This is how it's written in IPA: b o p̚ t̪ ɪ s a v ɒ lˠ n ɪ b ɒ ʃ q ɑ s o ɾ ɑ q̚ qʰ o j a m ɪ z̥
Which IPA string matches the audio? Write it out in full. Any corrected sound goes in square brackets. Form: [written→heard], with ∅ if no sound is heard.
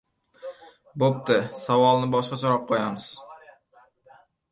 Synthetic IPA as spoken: b o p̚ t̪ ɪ s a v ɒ lˠ n ɪ b ɒ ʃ q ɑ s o ɾ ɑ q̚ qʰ o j a m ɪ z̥